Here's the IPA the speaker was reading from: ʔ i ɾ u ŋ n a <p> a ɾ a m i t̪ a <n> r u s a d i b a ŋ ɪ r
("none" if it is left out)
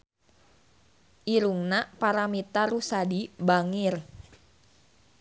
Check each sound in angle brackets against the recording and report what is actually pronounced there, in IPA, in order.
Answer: p, none

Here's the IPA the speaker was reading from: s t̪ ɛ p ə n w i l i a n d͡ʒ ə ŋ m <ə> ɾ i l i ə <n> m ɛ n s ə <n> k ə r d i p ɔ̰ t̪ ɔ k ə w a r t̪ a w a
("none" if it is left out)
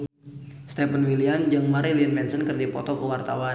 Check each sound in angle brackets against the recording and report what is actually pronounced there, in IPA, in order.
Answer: a, n, n

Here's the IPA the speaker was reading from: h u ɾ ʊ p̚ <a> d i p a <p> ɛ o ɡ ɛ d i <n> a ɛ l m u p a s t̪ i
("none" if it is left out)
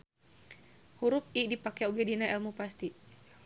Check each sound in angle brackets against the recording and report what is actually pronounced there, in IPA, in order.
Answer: i, k, n

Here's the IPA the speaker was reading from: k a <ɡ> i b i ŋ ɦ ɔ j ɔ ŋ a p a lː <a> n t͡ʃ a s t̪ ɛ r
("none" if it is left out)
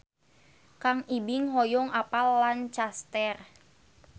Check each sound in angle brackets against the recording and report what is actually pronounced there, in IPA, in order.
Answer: ŋ, a

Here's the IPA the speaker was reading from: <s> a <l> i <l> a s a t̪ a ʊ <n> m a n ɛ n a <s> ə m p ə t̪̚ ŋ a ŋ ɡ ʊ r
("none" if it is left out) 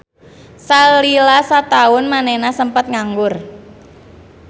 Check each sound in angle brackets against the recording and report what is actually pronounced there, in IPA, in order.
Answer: s, l, l, n, s

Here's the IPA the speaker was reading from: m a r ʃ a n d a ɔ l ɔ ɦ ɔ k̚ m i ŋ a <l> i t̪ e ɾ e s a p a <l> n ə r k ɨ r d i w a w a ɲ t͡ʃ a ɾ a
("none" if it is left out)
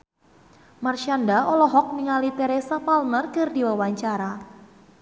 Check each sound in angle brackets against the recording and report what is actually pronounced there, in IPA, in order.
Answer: l, l

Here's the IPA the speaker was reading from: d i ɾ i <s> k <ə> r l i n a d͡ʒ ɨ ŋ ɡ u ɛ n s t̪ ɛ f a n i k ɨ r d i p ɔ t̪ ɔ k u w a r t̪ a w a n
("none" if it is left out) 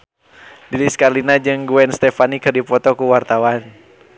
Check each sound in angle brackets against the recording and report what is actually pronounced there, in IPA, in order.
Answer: s, a

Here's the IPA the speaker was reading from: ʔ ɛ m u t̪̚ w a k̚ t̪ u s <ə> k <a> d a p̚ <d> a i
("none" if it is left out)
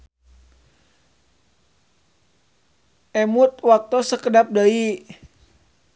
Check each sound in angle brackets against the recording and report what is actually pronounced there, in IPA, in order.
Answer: ə, ə, d

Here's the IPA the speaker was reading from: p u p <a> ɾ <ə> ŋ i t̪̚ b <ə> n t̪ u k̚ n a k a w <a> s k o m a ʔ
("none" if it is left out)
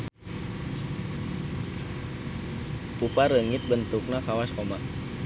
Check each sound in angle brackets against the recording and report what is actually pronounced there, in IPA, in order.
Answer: a, ə, ə, a

